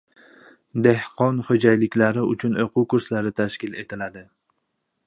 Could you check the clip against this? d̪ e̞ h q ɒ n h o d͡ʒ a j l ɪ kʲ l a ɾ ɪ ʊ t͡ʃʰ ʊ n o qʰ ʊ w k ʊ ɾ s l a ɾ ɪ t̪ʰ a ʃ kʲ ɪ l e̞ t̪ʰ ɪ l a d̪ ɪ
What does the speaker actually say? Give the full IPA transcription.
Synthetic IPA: d̪ e̞ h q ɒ n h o d͡ʒ a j l ɪ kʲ l a ɾ ɪ ʊ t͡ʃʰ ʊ n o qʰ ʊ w k ʊ ɾ s l a ɾ ɪ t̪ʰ a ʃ kʲ ɪ l e̞ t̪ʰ ɪ l a d̪ ɪ